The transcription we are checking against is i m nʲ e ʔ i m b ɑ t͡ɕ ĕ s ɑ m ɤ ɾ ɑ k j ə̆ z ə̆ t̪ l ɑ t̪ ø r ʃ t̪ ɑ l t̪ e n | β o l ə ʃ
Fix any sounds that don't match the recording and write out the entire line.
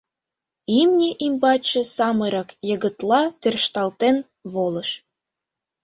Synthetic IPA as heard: i m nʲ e ʔ i m b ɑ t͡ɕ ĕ s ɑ m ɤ ɾ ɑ k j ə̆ ɣ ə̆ t̪ l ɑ t̪ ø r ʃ t̪ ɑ l t̪ e n | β o l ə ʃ

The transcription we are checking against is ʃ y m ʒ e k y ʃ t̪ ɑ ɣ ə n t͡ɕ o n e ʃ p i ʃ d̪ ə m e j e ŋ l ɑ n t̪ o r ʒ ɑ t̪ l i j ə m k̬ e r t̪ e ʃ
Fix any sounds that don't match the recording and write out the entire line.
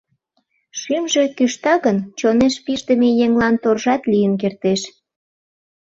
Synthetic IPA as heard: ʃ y m ʒ e k y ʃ t̪ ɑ ɣ ə n t͡ɕ o n e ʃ p i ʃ d̪ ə m e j e ŋ l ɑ n t̪ o r ʒ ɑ t̪ l i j ə n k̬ e r t̪ e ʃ

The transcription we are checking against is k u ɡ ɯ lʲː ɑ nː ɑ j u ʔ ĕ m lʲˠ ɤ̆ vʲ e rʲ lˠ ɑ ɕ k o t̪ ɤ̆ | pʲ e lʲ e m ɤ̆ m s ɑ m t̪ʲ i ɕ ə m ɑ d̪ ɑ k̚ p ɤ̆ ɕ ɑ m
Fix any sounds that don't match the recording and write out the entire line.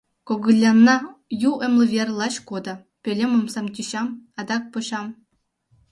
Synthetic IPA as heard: k o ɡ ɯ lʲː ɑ nː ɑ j u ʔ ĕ m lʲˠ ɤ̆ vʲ e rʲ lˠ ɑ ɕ k o d̪ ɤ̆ | pʲ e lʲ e m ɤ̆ m s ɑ m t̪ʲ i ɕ ɑ m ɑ d̪ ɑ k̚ p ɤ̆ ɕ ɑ m

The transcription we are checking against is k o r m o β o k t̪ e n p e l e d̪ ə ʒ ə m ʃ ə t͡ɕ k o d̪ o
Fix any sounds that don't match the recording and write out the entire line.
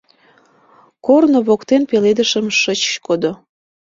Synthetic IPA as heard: k o r n o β o k t̪ e n p e l e d̪ ə ʃ ə m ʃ ə t͡ɕ k o d̪ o

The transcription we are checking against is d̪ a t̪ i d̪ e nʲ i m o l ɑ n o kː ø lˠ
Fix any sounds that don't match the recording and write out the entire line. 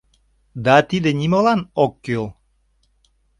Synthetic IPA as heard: d̪ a t̪ i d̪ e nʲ i m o l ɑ n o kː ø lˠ

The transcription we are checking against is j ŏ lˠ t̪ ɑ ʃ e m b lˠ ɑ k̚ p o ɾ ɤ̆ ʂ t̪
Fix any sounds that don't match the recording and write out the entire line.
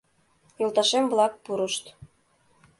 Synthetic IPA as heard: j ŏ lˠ t̪ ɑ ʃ e m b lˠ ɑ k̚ p u ɾ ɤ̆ ʃ t̪

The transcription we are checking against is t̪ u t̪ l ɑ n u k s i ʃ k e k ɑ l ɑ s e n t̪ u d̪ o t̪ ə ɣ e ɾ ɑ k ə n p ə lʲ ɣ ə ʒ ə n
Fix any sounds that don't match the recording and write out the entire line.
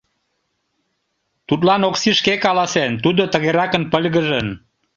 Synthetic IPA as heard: t̪ u t̪ l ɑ n o k s i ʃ k e k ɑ l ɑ s e n t̪ u d̪ o t̪ ə ɣ e ɾ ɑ k ə n p ə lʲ ɣ ə ʒ ə n

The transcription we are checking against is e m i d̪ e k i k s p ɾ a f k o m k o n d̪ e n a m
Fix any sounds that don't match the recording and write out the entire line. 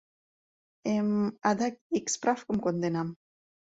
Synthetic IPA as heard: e m a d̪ a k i k s p ɾ a f k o m k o n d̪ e n a m

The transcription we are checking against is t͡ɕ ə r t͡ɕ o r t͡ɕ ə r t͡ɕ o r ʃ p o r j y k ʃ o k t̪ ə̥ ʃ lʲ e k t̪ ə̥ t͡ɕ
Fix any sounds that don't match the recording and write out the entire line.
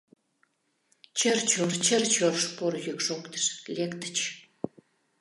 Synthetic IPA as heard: t͡ɕ ə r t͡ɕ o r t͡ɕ ə r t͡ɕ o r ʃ p o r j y k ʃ o k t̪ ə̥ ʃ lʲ e k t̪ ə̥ t͡ɕ

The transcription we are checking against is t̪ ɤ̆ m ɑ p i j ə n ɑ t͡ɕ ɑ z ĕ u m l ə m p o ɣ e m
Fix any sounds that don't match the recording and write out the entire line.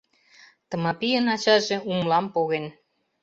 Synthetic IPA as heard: t̪ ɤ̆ m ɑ p i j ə n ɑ t͡ɕ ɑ ʒ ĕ u m l ɑ m p o ɣ e n

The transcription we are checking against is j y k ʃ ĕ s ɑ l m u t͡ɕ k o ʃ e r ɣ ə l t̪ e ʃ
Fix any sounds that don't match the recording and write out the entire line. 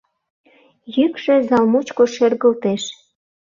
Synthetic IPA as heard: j y k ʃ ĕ z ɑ l m u t͡ɕ k o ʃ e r ɣ ə l t̪ e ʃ

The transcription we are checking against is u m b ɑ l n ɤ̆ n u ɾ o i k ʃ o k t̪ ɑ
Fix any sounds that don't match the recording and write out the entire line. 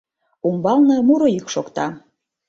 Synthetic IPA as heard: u m b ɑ l n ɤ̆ m u ɾ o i k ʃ o k t̪ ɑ

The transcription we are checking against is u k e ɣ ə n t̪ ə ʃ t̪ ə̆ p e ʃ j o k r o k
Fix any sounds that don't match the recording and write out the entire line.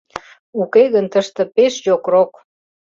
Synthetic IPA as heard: u k e ɣ ə n t̪ ə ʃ t̪ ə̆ p e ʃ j o k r o k

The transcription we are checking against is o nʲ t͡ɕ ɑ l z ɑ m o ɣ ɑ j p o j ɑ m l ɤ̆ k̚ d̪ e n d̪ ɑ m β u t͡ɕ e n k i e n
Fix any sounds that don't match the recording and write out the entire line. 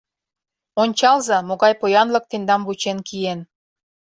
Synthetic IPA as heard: o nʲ t͡ɕ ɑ l z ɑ m o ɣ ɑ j p o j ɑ n l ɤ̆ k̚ t̪ e n d̪ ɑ m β u t͡ɕ e n k i e n

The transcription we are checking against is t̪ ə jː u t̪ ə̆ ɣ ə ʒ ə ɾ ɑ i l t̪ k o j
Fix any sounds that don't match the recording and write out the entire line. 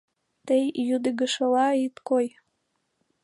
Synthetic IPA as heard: t̪ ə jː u d̪ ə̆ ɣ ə ʃ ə l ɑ i t̪ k o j

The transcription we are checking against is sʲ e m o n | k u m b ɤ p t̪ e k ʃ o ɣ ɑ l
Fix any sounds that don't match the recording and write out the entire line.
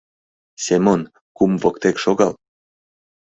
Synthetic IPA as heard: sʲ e m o n | k u m v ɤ k t̪ e k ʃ o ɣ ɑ l

